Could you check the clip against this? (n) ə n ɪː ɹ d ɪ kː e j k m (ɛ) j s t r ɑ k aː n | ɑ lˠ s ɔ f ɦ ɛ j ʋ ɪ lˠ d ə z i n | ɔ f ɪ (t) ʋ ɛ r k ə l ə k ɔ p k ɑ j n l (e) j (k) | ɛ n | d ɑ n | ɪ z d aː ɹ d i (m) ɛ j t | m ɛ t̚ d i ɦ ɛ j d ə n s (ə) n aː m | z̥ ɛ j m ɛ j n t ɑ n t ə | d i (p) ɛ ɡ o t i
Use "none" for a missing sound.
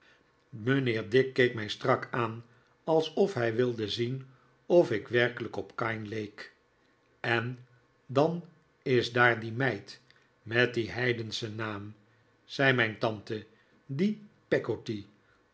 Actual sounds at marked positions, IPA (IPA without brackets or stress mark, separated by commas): m, ɛ, k, e, k, m, ə, p